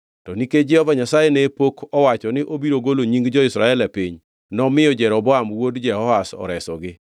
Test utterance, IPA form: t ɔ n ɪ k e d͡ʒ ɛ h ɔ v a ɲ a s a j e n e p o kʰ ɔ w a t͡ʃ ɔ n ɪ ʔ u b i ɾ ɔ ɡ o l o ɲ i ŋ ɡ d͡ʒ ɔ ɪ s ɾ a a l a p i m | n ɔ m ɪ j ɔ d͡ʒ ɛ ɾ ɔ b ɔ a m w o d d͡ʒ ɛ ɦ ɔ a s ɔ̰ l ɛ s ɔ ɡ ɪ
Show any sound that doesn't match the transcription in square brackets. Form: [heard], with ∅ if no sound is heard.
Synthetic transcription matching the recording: t ɔ n [i] k e d͡ʒ ɛ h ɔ v a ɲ a s a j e n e p o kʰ ɔ w a t͡ʃ ɔ n ɪ ʔ [o] b i ɾ [o] ɡ o l o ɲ i ŋ ɡ d͡ʒ ɔ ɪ s ɾ a [ɛ] l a p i [ɲ] | n ɔ m ɪ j ɔ d͡ʒ ɛ ɾ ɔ b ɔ a m w o d d͡ʒ ɛ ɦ ɔ a s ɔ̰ [ɾ] ɛ s ɔ ɡ ɪ